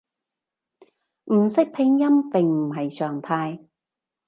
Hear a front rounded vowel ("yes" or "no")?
yes